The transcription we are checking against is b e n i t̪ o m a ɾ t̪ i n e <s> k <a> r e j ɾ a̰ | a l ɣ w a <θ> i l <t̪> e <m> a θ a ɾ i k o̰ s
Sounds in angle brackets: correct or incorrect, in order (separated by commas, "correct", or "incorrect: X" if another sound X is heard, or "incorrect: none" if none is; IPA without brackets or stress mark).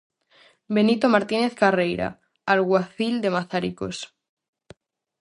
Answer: incorrect: θ, correct, correct, incorrect: d̪, correct